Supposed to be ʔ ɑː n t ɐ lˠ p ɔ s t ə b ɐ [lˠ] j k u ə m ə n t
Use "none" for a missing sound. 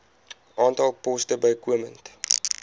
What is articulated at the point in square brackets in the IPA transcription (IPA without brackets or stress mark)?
none